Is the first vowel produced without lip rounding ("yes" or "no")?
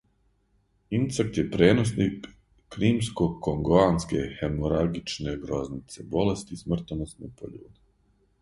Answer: yes